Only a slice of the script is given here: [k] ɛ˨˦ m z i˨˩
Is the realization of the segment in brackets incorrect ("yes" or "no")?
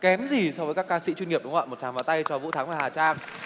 no